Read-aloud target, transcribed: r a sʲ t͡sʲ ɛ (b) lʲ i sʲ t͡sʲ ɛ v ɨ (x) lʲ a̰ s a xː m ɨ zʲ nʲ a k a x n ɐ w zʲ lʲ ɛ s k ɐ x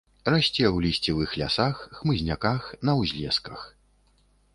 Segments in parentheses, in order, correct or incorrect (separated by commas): incorrect, correct